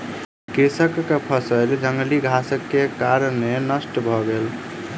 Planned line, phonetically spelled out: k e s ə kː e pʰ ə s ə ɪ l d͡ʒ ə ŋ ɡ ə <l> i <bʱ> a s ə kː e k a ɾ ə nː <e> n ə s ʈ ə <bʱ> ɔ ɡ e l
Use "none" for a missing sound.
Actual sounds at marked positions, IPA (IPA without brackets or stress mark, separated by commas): l, ɡʱ, e, bʱ